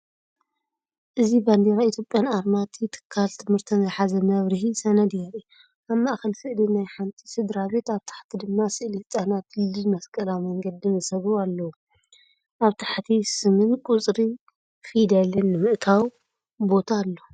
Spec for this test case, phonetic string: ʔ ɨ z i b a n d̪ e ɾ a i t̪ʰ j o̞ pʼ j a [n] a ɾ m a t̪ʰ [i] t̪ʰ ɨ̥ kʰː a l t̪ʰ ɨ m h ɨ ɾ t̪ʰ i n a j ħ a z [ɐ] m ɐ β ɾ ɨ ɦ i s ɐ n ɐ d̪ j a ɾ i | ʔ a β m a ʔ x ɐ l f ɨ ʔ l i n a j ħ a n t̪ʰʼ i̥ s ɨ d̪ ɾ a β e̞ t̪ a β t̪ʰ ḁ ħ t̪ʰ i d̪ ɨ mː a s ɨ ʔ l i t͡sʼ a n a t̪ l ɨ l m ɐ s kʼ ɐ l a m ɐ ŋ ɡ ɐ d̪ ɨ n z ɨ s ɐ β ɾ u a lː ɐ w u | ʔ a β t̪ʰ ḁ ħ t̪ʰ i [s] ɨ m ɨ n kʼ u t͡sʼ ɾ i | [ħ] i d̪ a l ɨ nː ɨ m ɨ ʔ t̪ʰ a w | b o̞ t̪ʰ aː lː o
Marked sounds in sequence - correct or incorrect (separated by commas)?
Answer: correct, correct, correct, correct, incorrect